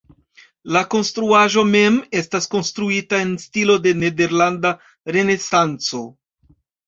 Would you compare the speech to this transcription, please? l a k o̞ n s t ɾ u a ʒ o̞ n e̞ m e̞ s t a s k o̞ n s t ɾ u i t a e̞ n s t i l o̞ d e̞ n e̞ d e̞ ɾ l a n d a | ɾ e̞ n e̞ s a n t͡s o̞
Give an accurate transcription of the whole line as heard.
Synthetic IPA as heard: l a k o̞ n s t ɾ u a ʒ o̞ m e̞ m e̞ s t a s k o̞ n s t ɾ u i t a e̞ n s t i l o̞ d e̞ n e̞ d e̞ ɾ l a n d a | ɾ e̞ n e̞ s a n t͡s o̞